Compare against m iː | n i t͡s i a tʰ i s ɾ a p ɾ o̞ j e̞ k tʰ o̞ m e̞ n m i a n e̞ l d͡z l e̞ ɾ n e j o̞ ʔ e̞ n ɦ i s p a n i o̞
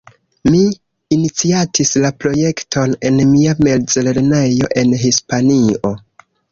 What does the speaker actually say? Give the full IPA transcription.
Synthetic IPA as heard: m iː | n i t͡s i a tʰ i s l a p ɾ o̞ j e̞ k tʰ o̞ n e̞ n m i a m e̞ l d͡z l e̞ ɾ n e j o̞ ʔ e̞ n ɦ i s p a n i o̞

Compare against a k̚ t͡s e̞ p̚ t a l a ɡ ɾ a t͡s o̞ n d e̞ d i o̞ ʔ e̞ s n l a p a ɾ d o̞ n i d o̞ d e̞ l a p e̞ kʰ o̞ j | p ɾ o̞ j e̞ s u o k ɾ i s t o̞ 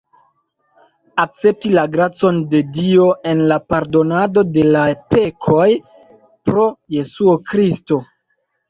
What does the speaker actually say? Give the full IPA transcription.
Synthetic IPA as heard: a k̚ t͡s e̞ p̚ t i l a ɡ ɾ a t͡s o̞ n d e̞ d i o̞ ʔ e̞ n l a p a ɾ d o̞ n a d o̞ d e̞ l a p e̞ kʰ o̞ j | p ɾ o̞ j e̞ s u o k ɾ i s t o̞

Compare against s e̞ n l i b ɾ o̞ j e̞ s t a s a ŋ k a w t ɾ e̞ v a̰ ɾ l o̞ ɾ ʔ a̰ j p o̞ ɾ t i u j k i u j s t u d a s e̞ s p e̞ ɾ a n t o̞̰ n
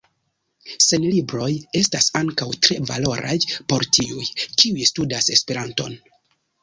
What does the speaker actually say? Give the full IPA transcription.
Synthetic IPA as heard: s e̞ n l i b ɾ o̞ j e̞ s t a s a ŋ k a w t ɾ e̞ v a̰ l o̞ ɾ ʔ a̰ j p o̞ ɾ t i u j k i u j s t u d a s e̞ s p e̞ ɾ a n t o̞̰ n

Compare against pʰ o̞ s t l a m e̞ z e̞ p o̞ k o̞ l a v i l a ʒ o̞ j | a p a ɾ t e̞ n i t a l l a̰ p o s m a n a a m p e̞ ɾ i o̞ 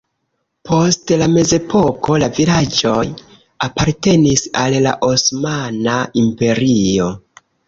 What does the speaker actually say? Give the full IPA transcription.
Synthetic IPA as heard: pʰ o̞ s t l a m e̞ z e̞ p o̞ k o̞ l a v i l a d͡ʒ o̞ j | a p a ɾ t e̞ n i s a l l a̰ ʔ o s m a n a i m p e̞ ɾ i o̞

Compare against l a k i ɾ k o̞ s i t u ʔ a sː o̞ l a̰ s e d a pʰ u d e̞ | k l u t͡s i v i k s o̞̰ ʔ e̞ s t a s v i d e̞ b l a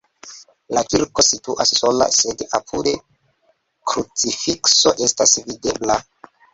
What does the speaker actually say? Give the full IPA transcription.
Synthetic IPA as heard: l a k i ɾ k o̞ s i t u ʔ a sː o̞ l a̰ s e d a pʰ u d e̞ | k ɾ u t͡s i f i k s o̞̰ ʔ e̞ s t a s v i d e̞ b l a

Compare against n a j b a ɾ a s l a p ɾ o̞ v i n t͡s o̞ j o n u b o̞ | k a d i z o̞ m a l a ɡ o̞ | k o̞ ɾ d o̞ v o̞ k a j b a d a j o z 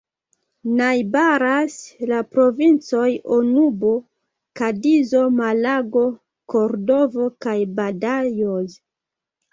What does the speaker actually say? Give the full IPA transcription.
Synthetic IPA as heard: n a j b a ɾ a s l a p ɾ o̞ v i n t͡s o̞ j o n u b o̞ | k a d i z o̞ m a l a ɡ o̞ | k o̞ ɾ d o̞ v o̞ k a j b a d a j o z

